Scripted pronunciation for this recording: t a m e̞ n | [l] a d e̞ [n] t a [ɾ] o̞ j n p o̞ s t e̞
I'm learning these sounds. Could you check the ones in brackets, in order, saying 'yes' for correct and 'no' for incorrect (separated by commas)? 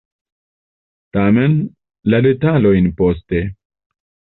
yes, no, no